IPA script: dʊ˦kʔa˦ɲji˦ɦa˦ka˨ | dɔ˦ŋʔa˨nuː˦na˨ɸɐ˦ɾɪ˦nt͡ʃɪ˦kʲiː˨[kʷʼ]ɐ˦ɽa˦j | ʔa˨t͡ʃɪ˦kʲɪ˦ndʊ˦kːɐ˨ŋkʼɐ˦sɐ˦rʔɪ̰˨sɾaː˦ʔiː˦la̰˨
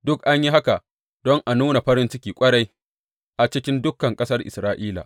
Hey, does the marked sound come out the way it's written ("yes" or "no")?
yes